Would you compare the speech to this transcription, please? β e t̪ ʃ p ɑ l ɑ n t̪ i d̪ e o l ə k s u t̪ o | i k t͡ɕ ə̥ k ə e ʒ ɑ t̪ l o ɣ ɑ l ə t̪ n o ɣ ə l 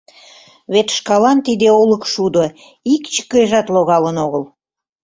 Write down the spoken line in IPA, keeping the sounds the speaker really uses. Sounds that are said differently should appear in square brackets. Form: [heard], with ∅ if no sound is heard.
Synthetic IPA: β e t̪ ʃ [k] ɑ l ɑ n t̪ i d̪ e o l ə k [ʃ] u [d̪] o | i k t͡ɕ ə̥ k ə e ʒ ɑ t̪ l o ɣ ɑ l ə [∅] n o ɣ ə l